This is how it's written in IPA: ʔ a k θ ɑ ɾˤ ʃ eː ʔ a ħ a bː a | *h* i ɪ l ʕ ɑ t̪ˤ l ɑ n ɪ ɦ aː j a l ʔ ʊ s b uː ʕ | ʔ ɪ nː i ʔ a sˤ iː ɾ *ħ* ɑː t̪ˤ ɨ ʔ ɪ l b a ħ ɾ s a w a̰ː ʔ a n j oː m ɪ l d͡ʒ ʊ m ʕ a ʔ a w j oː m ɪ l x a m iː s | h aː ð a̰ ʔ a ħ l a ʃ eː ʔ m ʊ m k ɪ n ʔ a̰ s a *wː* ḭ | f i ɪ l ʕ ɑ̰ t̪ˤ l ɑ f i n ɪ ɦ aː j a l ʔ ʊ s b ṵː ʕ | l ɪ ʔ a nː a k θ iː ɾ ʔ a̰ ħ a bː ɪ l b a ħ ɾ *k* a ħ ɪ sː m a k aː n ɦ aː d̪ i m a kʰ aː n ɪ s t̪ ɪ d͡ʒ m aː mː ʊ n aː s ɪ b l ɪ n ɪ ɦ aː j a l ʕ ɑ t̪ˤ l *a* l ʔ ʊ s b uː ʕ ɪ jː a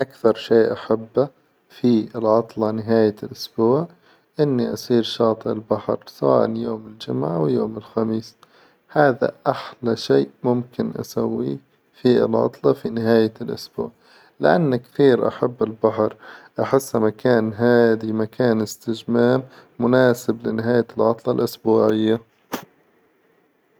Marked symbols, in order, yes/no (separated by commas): no, no, yes, no, no